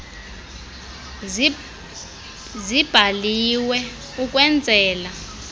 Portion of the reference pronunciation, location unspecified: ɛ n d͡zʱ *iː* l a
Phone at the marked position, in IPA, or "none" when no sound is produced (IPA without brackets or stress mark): ɛː